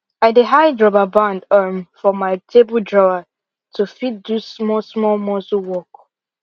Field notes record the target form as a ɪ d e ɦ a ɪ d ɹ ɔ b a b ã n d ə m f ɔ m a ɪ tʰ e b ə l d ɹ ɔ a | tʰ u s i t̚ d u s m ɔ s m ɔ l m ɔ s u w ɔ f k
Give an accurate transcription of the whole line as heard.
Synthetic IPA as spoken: a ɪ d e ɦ a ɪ d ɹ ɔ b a b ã n d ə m f ɔ m a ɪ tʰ e b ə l d ɹ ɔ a | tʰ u f i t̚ d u s m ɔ s m ɔ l m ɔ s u w ɔ k